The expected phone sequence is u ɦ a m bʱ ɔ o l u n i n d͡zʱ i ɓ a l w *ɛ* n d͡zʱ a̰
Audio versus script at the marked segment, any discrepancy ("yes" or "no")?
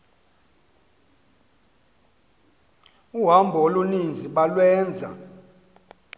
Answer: yes